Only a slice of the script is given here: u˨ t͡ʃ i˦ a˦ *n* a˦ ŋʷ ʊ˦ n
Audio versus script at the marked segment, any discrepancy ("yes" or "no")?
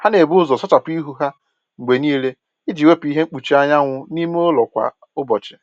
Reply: yes